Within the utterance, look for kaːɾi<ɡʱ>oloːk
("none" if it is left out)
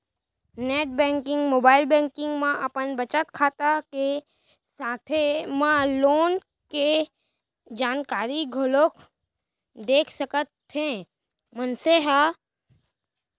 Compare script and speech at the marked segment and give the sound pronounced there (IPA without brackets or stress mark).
ɡʱ